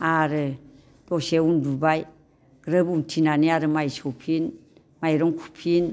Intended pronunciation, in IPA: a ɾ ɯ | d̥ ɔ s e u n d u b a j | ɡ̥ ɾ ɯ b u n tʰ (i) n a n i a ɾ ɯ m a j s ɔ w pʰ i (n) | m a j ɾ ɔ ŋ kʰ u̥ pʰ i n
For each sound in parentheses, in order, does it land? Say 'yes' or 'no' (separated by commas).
yes, yes